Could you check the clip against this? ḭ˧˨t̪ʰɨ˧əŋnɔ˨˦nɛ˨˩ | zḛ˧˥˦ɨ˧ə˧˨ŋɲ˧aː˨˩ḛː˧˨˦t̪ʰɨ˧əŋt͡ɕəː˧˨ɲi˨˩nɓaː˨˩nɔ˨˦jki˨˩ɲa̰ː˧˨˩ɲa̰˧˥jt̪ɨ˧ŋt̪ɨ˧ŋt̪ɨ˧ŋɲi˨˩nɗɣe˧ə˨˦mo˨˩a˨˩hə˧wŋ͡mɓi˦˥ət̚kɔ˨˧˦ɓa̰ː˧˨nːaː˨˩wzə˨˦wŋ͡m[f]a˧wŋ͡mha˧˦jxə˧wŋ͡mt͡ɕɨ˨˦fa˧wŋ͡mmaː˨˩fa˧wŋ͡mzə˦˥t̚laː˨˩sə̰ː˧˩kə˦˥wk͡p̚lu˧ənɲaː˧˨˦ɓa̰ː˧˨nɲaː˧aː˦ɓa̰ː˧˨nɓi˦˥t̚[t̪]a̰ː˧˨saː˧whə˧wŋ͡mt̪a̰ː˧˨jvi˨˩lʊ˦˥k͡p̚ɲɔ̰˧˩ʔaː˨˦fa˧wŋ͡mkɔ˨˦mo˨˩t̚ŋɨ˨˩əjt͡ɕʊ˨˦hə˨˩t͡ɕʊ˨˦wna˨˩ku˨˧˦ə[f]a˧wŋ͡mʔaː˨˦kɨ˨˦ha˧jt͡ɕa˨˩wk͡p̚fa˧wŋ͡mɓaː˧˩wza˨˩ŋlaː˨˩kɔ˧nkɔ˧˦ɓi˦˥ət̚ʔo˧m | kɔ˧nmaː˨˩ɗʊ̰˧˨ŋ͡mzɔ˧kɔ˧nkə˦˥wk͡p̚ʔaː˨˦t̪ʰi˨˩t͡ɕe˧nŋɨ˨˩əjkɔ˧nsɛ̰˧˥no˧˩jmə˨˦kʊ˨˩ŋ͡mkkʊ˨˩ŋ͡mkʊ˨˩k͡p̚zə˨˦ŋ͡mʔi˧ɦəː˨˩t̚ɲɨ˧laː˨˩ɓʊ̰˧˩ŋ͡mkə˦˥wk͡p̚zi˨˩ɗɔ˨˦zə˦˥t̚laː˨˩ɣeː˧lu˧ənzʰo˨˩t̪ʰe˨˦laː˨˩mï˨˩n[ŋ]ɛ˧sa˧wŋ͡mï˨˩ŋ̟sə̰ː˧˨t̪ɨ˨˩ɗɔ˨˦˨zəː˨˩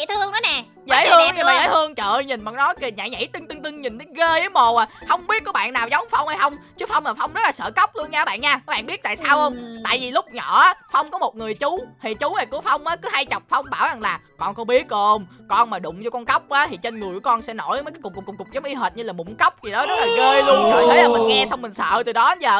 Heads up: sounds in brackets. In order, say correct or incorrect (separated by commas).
correct, correct, correct, correct